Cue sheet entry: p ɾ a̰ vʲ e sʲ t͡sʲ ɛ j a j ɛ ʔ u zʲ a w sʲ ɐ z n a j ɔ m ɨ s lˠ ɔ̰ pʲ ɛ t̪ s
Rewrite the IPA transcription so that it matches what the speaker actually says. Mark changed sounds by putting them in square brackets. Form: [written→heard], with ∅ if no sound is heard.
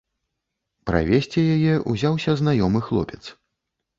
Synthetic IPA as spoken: p ɾ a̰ vʲ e sʲ t͡sʲ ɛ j a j ɛ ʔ u zʲ a w sʲ ɐ z n a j ɔ m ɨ [s→x] lˠ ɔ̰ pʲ ɛ t̪ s